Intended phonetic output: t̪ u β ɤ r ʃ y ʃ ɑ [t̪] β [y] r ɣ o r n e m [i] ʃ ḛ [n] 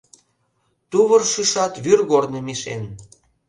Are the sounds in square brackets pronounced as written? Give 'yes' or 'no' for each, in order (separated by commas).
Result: yes, yes, yes, yes